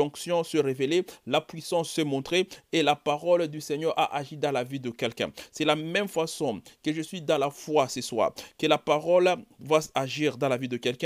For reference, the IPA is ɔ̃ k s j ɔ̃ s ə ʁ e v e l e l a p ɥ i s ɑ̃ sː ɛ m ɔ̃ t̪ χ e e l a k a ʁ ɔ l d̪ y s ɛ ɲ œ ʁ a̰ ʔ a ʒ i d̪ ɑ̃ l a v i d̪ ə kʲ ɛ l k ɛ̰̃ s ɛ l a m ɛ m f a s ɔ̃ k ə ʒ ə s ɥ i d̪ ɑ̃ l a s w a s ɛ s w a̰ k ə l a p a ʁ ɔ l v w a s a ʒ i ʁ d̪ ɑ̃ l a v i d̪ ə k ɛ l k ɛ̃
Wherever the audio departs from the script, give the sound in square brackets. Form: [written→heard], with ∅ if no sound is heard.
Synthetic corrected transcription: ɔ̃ k s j ɔ̃ s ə ʁ e v e l e l a p ɥ i s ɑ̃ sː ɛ m ɔ̃ t̪ χ e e l a [k→p] a ʁ ɔ l d̪ y s ɛ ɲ œ ʁ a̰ ʔ a ʒ i d̪ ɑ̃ l a v i d̪ ə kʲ ɛ l k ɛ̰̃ s ɛ l a m ɛ m f a s ɔ̃ k ə ʒ ə s ɥ i d̪ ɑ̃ l a [s→f] w a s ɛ s w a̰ k ə l a p a ʁ ɔ l v w a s a ʒ i ʁ d̪ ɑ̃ l a v i d̪ ə k ɛ l k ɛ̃